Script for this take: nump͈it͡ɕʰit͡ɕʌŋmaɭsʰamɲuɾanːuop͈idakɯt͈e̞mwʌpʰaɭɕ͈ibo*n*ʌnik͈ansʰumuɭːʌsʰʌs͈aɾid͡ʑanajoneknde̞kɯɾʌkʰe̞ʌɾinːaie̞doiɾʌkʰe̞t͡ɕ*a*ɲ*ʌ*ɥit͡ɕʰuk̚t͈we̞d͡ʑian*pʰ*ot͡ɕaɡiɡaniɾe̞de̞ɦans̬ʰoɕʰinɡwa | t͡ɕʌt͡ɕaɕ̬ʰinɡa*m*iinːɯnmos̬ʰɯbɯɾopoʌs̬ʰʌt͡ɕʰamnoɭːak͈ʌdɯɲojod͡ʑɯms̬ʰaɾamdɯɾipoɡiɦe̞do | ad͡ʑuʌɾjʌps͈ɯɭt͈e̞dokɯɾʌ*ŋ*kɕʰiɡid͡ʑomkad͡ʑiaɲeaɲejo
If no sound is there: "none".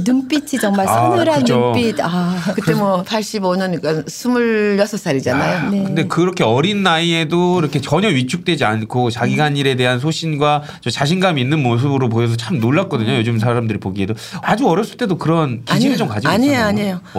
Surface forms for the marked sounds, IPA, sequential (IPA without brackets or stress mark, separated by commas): ɲ, ʌ, ʌ, kʰ, m, n